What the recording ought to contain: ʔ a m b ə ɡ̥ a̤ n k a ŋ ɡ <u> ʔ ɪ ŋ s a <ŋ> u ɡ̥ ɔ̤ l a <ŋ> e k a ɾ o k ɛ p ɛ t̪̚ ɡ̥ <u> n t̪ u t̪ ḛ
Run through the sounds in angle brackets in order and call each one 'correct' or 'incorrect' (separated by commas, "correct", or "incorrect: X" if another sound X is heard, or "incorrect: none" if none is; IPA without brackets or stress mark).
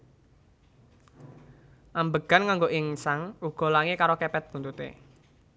incorrect: o, correct, correct, correct